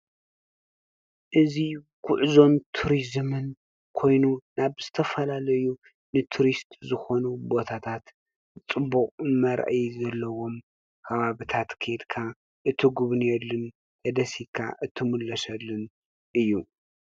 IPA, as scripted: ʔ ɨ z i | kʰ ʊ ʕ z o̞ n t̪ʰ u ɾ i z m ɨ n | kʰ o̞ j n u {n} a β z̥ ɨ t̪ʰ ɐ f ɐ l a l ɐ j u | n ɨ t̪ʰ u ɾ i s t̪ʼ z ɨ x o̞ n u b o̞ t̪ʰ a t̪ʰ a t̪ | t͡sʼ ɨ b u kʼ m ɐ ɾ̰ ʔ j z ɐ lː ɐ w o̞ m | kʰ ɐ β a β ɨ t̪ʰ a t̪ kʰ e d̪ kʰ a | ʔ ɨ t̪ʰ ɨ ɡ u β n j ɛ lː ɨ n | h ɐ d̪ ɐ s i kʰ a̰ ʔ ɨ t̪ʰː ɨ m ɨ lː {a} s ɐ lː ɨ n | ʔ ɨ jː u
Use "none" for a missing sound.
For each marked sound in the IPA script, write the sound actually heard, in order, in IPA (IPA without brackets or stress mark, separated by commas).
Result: n, ɐ